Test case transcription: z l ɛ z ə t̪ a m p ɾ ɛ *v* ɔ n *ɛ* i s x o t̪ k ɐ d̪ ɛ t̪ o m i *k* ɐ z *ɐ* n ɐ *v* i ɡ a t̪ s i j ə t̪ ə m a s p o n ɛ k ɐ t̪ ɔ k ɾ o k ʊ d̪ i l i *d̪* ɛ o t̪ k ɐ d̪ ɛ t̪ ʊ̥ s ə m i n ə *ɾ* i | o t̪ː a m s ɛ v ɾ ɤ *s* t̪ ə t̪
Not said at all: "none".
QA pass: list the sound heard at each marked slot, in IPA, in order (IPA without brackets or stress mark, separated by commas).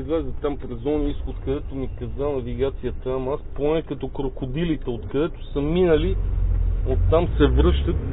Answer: z, i, k, a, v, t̪, l, ʃ